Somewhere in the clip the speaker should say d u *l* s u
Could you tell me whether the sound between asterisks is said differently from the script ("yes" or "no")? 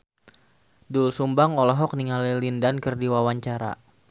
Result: no